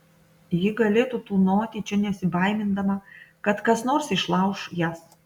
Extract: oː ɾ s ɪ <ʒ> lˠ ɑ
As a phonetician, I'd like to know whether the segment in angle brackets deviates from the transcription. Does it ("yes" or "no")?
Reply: yes